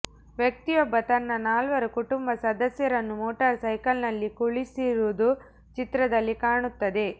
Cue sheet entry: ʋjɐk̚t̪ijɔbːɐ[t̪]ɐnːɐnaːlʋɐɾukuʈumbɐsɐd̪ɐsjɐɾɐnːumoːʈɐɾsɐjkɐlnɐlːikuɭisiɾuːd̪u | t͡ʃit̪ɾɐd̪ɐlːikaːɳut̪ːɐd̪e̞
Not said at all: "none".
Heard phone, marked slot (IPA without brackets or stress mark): t̪